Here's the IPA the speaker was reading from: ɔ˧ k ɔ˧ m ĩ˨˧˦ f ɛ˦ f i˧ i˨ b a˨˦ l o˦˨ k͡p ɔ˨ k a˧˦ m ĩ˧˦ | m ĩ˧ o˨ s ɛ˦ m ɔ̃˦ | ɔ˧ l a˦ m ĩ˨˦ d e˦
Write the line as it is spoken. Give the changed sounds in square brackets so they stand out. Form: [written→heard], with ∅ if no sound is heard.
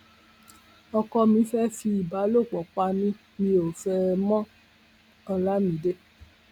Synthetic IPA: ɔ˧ k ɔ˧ m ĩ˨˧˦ f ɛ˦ f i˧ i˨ b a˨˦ l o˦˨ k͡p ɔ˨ [k→k͡p] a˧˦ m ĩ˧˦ | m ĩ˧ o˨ [s→f] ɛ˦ m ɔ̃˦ | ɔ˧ l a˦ m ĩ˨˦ d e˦